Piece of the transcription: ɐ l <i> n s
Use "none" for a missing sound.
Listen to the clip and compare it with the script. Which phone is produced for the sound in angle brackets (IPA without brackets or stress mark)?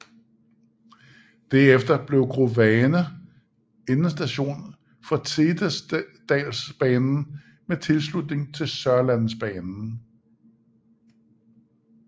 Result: æ